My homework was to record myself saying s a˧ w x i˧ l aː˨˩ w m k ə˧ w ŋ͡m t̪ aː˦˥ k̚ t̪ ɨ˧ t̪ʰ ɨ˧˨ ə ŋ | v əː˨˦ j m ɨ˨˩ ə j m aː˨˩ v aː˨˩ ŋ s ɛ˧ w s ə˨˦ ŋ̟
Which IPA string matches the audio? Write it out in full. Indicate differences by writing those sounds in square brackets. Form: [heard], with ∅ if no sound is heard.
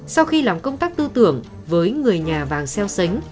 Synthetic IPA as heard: s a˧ w x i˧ l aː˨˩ [∅] m k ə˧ w ŋ͡m t̪ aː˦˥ k̚ t̪ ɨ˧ [t̪] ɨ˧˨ ə ŋ | v əː˨˦ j [ŋ] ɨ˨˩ ə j [ɲ] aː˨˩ v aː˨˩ ŋ s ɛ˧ w s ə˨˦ ŋ̟